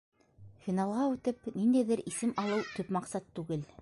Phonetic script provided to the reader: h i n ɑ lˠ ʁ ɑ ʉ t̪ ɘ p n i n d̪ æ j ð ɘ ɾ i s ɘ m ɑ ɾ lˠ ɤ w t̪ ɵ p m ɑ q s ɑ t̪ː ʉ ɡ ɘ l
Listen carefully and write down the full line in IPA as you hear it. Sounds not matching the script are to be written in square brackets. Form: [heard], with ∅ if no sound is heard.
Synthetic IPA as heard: [f] i n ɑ lˠ ʁ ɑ ʉ t̪ ɘ p n i n d̪ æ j ð ɘ ɾ i s ɘ m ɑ [∅] lˠ ɤ w t̪ ɵ p m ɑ q s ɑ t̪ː ʉ ɡ ɘ l